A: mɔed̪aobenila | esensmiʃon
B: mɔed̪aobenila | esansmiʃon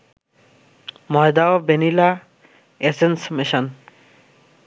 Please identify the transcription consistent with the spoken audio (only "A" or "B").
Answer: A